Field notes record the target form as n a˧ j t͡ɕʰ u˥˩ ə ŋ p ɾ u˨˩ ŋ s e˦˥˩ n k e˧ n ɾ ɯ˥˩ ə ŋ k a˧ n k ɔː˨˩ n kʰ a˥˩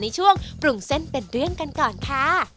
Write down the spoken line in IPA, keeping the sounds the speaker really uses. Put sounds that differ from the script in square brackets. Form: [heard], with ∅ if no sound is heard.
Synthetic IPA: n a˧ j t͡ɕʰ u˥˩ ə ŋ p ɾ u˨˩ ŋ s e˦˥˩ n [p] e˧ n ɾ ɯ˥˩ ə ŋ k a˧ n k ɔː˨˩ n kʰ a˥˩